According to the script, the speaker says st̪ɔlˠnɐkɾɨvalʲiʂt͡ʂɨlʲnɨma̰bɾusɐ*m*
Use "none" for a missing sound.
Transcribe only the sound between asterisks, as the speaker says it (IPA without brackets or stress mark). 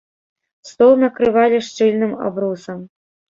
m